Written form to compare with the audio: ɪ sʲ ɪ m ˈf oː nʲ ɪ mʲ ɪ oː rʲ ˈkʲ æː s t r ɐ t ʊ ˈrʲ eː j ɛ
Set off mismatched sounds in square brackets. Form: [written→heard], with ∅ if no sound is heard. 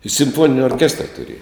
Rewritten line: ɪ sʲ ɪ m ˈf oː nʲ ɪ [mʲ→nʲ] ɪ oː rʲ ˈkʲ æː s t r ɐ t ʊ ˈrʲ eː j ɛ